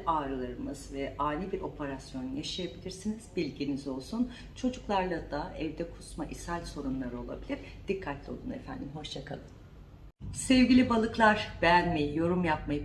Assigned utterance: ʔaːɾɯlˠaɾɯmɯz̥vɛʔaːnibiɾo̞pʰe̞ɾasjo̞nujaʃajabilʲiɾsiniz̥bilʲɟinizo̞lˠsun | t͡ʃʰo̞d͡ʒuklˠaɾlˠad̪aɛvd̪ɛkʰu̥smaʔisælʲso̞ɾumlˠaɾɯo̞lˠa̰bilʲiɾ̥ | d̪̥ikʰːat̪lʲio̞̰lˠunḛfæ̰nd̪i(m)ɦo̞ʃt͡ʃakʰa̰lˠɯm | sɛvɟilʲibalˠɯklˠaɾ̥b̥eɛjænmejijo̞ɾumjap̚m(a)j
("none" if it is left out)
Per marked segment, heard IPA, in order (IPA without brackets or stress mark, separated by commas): m, a